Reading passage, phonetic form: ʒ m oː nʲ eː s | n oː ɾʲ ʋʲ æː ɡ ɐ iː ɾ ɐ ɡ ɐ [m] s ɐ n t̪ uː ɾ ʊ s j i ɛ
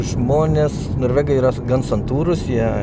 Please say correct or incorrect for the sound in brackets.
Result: incorrect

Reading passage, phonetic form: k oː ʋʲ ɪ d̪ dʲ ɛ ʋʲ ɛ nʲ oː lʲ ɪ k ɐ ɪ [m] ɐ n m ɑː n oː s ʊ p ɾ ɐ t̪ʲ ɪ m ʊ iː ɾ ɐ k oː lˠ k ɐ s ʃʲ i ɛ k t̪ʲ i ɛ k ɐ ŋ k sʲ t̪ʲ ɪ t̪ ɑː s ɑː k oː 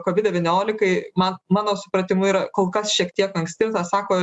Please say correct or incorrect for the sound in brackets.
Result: correct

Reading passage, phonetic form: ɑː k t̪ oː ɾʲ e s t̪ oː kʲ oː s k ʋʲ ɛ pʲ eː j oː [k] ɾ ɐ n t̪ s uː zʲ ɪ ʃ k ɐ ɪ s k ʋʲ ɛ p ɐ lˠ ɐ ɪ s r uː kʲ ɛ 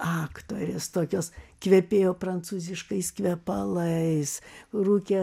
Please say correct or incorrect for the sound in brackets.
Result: incorrect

